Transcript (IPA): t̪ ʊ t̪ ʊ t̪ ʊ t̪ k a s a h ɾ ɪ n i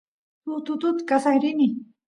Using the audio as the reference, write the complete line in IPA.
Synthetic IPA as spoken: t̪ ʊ t̪ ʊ t̪ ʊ t̪ k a s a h ɾ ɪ n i